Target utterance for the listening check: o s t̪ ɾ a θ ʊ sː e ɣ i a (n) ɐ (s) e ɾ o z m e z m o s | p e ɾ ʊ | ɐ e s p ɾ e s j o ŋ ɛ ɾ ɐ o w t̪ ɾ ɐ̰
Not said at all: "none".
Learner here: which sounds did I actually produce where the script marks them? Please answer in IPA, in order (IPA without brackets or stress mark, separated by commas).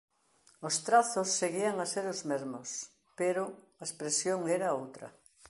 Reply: ŋ, s